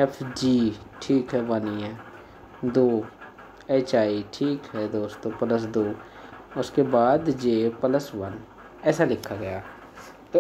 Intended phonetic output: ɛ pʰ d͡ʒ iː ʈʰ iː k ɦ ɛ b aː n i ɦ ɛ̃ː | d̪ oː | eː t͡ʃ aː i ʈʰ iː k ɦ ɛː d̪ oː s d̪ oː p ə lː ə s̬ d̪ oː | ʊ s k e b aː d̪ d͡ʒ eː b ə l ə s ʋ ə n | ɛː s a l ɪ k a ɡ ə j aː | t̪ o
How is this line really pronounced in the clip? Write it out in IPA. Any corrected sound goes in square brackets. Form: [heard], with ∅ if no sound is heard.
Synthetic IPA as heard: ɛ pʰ d͡ʒ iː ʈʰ iː k ɦ ɛ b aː n i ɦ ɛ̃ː | d̪ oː | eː t͡ʃ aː i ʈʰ iː k ɦ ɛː d̪ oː s [t̪] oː p ə [l] ə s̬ d̪ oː | ʊ s k e b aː d̪ d͡ʒ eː [p] ə l ə s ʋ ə n | ɛː s a l ɪ [kʰ] a ɡ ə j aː | t̪ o

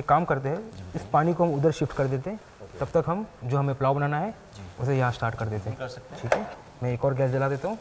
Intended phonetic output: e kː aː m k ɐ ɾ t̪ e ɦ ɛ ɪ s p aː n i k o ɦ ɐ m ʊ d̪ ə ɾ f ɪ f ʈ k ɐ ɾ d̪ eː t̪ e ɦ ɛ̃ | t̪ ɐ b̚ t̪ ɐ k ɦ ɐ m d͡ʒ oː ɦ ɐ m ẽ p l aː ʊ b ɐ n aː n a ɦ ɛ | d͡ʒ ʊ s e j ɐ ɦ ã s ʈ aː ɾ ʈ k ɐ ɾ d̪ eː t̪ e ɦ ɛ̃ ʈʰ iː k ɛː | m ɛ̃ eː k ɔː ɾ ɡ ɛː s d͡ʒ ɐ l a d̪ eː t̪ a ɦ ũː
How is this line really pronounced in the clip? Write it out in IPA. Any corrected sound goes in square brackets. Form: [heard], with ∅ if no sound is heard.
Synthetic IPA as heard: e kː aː m k ɐ ɾ t̪ e ɦ ɛ ɪ s p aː n i k o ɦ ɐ m ʊ d̪ ə ɾ [ʃ] ɪ f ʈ k ɐ ɾ d̪ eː t̪ e ɦ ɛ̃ | t̪ ɐ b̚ t̪ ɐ k ɦ ɐ m d͡ʒ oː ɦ ɐ m ẽ p l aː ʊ b ɐ n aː n a ɦ ɛ | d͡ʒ ʊ s e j ɐ ɦ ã s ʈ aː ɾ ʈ k ɐ ɾ d̪ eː t̪ e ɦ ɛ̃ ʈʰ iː k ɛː | m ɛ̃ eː k ɔː ɾ ɡ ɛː s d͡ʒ ɐ l a d̪ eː t̪ a ɦ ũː

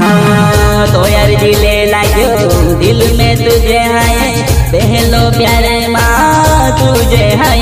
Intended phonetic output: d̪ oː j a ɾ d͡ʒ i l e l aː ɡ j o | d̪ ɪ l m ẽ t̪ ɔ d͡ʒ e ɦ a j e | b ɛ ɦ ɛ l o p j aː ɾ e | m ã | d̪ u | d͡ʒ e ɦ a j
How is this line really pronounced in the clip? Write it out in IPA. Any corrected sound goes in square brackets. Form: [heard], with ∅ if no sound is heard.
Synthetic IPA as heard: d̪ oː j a ɾ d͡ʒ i l e l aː ɡ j o | d̪ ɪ l m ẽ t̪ [u] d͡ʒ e ɦ a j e | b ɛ ɦ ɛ l o p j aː ɾ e | m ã | [t̪] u | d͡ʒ e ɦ a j

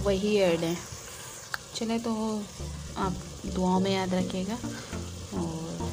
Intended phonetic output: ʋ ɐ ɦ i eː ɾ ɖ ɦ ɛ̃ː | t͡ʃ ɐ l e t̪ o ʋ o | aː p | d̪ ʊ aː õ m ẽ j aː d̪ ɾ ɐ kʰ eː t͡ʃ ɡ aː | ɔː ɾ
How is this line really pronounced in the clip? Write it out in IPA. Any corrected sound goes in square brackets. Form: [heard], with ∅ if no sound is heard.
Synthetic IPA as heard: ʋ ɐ ɦ i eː ɾ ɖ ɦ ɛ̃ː | t͡ʃ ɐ l e t̪ o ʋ o | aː p | d̪ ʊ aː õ m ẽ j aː d̪ ɾ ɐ kʰ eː [∅] ɡ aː | ɔː ɾ

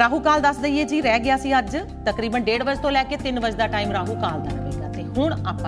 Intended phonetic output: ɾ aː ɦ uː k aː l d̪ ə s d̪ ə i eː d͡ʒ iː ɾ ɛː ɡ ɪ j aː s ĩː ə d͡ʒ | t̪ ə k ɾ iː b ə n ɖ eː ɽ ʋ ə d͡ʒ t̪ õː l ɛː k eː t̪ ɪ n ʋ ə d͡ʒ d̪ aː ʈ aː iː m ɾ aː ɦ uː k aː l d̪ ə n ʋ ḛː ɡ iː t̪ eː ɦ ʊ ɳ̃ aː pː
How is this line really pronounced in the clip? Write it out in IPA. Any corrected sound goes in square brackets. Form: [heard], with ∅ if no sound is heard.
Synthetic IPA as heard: ɾ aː ɦ uː k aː l d̪ ə s d̪ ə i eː d͡ʒ iː ɾ ɛː ɡ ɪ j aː s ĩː ə d͡ʒ | t̪ ə k ɾ iː b ə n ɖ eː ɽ ʋ ə d͡ʒ t̪ õː l ɛː k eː t̪ ɪ n ʋ ə d͡ʒ d̪ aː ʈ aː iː m ɾ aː ɦ uː k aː l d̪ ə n ʋ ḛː ɡ [aː] t̪ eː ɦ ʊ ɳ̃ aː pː

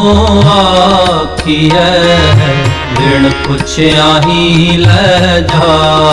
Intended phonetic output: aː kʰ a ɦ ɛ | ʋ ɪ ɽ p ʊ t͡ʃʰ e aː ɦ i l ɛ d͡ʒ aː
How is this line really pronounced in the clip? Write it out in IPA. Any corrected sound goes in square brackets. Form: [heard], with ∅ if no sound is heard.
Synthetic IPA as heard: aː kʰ [i] ɦ ɛ | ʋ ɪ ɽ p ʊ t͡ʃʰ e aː ɦ i l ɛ d͡ʒ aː

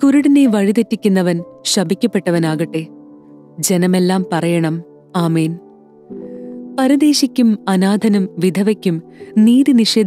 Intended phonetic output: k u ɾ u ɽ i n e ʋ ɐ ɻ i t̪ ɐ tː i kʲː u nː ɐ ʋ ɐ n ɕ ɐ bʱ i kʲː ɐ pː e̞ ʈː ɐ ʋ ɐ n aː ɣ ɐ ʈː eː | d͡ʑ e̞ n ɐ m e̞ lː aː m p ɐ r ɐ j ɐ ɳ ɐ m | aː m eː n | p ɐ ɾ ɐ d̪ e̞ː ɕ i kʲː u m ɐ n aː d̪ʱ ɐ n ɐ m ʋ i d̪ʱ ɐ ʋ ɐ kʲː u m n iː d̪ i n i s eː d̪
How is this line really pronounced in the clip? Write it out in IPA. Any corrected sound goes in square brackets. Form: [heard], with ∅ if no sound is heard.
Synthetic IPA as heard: k u ɾ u ɽ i n e ʋ ɐ ɻ i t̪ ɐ tː i kʲː u nː ɐ ʋ ɐ n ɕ ɐ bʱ i kʲː ɐ pː e̞ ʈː ɐ ʋ ɐ n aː ɣ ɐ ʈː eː | d͡ʑ e̞ n ɐ m e̞ lː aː m p ɐ r ɐ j ɐ ɳ ɐ m | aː m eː n | p ɐ ɾ ɐ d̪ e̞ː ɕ i kʲː u m ɐ n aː d̪ʱ ɐ n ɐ m ʋ i d̪ʱ ɐ ʋ ɐ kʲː u m n iː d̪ i n i [ʂ] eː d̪

